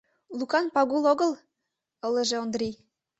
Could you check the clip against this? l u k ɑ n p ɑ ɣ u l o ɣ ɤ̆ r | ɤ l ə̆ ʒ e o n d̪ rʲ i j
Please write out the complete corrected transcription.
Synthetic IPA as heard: l u k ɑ n p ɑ ɣ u l o ɣ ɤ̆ l | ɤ l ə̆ ʒ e o n d̪ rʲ i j